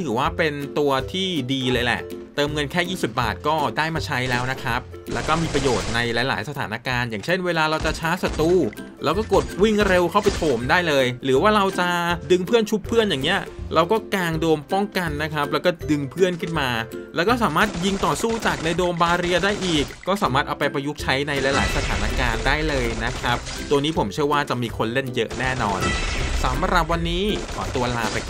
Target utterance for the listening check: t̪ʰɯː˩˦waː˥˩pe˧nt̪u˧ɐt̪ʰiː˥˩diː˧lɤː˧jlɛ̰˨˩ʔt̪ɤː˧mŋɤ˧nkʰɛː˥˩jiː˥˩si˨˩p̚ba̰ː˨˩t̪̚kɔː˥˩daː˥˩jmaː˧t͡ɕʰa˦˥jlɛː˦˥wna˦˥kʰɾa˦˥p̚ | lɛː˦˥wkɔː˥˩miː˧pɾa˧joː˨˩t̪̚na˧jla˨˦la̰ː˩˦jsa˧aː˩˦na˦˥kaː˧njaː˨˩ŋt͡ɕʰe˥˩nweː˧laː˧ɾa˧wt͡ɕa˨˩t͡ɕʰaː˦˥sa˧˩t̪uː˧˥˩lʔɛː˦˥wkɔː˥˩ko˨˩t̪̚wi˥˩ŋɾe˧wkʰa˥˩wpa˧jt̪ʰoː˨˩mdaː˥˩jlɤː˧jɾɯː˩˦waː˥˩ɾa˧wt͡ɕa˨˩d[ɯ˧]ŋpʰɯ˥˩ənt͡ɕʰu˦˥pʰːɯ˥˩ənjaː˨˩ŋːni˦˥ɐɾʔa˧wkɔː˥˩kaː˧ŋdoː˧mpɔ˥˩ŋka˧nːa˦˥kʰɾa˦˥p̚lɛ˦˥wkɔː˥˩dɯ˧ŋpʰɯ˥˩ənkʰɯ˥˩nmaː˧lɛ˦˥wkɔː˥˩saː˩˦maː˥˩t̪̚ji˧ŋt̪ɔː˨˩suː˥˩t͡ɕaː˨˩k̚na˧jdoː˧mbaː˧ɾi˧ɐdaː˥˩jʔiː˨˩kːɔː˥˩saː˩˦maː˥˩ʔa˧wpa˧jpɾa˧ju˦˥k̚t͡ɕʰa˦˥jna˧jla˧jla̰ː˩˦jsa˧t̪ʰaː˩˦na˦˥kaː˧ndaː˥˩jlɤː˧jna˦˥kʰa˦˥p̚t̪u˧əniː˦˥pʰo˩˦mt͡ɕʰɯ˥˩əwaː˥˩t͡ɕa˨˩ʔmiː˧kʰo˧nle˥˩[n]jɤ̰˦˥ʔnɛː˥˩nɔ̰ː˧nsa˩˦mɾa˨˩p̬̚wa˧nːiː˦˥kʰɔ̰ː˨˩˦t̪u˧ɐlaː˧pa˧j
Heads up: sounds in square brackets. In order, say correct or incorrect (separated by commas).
correct, correct